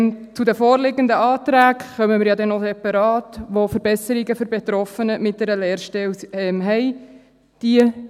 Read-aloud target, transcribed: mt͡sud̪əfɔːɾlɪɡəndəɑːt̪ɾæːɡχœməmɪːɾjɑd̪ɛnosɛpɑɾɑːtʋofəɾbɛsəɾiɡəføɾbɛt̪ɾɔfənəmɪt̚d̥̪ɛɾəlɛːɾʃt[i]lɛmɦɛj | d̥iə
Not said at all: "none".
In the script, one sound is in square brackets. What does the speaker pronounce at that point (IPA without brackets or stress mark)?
ɛ